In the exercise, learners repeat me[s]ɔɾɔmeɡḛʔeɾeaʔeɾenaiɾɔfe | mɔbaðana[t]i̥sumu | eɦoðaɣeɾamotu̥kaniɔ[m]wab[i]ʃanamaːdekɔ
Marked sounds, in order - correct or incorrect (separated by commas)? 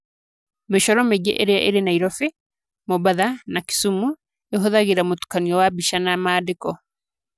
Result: incorrect, incorrect, incorrect, correct